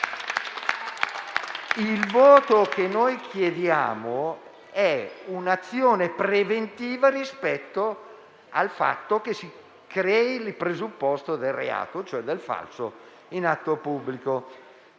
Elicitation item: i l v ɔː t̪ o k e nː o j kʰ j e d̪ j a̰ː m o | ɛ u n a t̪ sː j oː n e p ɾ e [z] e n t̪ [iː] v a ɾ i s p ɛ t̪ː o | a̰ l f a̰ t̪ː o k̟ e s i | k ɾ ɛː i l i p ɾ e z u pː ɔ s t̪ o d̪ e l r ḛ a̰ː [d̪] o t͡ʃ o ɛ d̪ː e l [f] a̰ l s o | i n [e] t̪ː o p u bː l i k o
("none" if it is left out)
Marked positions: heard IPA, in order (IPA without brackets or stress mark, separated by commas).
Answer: v, iː, t̪, f, a